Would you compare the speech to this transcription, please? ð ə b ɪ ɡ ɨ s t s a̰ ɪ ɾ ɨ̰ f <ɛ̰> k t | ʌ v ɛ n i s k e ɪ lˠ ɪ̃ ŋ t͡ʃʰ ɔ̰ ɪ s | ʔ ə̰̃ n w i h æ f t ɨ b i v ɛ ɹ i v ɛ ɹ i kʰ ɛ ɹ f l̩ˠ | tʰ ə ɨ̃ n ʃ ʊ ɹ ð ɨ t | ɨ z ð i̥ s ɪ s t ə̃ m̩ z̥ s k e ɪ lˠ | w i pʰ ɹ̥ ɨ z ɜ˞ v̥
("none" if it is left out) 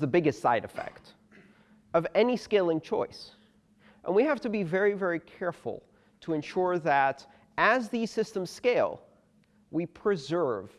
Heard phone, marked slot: ɛ̰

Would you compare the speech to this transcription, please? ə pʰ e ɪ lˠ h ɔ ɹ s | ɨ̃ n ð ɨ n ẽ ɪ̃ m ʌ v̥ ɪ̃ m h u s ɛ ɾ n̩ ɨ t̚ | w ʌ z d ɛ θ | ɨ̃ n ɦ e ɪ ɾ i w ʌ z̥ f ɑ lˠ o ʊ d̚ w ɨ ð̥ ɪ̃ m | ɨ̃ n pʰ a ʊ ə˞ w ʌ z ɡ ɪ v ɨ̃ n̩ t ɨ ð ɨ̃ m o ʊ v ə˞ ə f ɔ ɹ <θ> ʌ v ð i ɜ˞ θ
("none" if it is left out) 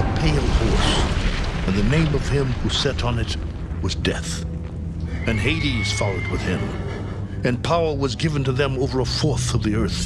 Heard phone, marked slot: θ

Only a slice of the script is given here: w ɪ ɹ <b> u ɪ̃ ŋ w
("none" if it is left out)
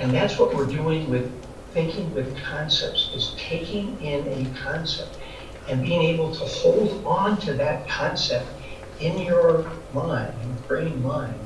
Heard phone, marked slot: d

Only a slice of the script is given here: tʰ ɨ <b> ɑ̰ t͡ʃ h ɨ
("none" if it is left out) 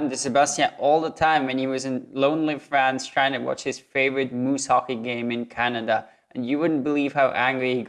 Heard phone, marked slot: w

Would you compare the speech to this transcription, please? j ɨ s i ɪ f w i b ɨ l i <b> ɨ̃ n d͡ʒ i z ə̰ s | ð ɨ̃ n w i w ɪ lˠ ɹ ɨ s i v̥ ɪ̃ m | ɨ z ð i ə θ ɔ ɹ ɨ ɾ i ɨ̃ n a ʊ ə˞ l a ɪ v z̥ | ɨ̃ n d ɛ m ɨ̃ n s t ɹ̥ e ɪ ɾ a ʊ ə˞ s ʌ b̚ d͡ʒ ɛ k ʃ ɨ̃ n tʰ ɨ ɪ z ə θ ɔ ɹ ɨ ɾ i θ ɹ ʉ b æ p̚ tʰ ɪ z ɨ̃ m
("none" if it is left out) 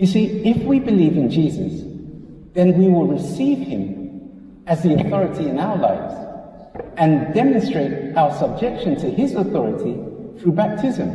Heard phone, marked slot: v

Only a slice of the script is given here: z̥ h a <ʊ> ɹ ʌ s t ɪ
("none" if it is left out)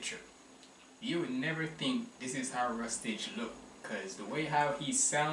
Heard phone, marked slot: ʊ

